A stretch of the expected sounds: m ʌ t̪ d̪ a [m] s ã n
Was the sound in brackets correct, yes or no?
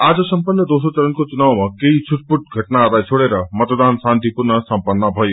no